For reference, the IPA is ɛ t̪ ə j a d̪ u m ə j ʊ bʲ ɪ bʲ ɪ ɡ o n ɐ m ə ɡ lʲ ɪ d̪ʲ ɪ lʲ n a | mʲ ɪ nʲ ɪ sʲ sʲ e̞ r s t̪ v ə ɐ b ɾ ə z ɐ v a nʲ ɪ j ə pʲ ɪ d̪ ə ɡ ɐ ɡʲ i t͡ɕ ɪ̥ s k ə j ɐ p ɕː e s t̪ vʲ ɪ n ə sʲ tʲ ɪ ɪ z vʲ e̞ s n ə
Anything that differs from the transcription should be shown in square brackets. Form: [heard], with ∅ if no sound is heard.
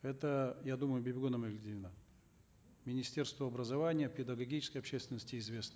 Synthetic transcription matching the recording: ɛ t̪ ə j a d̪ u m ə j ʊ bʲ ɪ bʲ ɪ ɡ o n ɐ m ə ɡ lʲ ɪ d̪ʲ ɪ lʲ n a | mʲ ɪ nʲ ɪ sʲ [tʲ] e̞ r s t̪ v ə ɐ b ɾ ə z ɐ v a nʲ ɪ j ə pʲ ɪ d̪ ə ɡ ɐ ɡʲ i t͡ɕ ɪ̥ s k ə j ɐ p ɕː e s t̪ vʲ ɪ n ə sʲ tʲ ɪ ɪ z vʲ e̞ s n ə